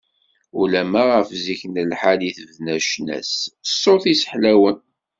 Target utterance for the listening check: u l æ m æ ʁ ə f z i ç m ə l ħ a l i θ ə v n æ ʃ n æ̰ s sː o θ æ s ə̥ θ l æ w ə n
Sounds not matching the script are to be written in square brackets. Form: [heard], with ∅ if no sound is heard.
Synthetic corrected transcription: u l æ m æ ʁ ə f z i ç [n] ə l ħ a l i θ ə v n æ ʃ n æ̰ s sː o θ [i] s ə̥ [ħ] l æ w ə n